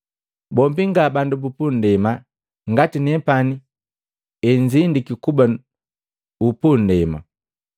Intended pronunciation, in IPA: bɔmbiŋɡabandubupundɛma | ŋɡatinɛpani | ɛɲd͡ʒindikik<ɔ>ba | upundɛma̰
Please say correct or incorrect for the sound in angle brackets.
incorrect